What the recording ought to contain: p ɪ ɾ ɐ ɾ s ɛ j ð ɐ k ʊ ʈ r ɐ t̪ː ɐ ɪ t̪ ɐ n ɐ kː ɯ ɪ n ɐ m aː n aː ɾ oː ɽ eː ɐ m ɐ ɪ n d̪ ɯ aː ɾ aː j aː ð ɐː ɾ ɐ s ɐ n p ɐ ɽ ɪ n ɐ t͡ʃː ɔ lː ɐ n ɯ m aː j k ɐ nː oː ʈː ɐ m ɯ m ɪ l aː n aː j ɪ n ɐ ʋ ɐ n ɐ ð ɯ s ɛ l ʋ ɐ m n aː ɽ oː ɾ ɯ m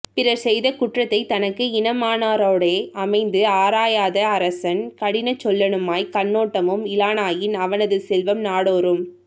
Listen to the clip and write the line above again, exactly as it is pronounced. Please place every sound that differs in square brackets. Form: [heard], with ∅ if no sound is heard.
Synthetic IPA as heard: p ɪ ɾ ɐ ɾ s ɛ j ð ɐ k ʊ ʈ r ɐ t̪ː ɐ ɪ t̪ ɐ n ɐ kː ɯ ɪ n ɐ m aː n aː ɾ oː ɽ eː ɐ m ɐ ɪ n d̪ ɯ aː ɾ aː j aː ð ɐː ɾ ɐ s ɐ n [k] ɐ ɽ ɪ n ɐ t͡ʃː ɔ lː ɐ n ɯ m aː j k ɐ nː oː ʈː ɐ m ɯ m ɪ l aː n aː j ɪ n ɐ ʋ ɐ n ɐ ð ɯ s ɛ l ʋ ɐ m n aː ɽ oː ɾ ɯ m

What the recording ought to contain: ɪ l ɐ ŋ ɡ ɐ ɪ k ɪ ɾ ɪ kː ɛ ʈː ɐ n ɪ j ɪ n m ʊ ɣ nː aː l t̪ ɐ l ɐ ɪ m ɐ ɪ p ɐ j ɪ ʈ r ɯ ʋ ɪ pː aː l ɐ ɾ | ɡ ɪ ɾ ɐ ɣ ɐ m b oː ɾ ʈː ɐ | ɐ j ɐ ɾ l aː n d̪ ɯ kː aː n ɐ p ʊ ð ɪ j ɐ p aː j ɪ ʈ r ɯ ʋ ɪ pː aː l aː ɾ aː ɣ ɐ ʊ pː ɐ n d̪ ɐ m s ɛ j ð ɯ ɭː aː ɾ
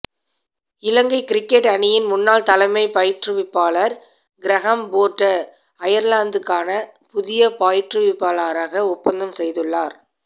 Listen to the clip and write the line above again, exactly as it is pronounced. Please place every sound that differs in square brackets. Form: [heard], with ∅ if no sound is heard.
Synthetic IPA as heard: ɪ l ɐ ŋ ɡ ɐ ɪ k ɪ ɾ ɪ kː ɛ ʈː ɐ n ɪ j ɪ n m ʊ [∅] nː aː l t̪ ɐ l ɐ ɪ m ɐ ɪ p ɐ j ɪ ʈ r ɯ ʋ ɪ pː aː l ɐ ɾ | ɡ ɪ ɾ ɐ ɣ ɐ m b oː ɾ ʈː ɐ | ɐ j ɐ ɾ l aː n d̪ ɯ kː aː n ɐ p ʊ ð ɪ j ɐ p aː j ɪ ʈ r ɯ ʋ ɪ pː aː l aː ɾ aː ɣ ɐ ʊ pː ɐ n d̪ ɐ m s ɛ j ð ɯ ɭː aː ɾ

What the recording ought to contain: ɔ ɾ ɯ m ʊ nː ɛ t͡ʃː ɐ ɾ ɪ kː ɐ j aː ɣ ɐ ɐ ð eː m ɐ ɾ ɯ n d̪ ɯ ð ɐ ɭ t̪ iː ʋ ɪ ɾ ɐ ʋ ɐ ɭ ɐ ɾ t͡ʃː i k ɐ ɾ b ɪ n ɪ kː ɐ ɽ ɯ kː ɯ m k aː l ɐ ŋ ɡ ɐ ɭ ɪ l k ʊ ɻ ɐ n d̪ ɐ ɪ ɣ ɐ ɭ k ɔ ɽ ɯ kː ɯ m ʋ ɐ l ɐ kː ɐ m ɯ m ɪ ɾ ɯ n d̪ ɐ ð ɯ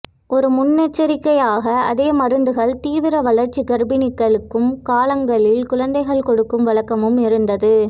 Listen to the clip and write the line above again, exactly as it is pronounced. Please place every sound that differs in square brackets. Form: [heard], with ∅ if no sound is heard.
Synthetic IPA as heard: ɔ ɾ ɯ m ʊ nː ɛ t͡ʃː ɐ ɾ ɪ kː ɐ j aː ɣ ɐ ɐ ð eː m ɐ ɾ ɯ n d̪ ɯ [ɣ] ɐ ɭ t̪ iː ʋ ɪ ɾ ɐ ʋ ɐ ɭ ɐ ɾ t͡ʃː i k ɐ ɾ b ɪ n ɪ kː ɐ [ɭ] ɯ kː ɯ m k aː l ɐ ŋ ɡ ɐ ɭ ɪ l k ʊ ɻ ɐ n d̪ ɐ ɪ ɣ ɐ ɭ k ɔ ɽ ɯ kː ɯ m ʋ ɐ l ɐ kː ɐ m ɯ m ɪ ɾ ɯ n d̪ ɐ ð ɯ

